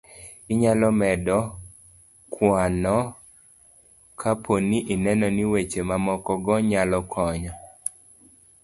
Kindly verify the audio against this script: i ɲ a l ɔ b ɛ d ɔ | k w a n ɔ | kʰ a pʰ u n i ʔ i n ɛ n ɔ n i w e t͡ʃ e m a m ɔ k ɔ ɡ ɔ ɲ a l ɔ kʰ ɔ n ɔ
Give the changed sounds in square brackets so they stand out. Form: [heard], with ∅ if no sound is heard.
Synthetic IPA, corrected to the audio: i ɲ a l ɔ [m] ɛ d ɔ | k w a n ɔ | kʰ a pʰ [o] n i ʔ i n ɛ n ɔ n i w e t͡ʃ e m a m ɔ k ɔ ɡ ɔ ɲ a l ɔ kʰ ɔ [ɲ] ɔ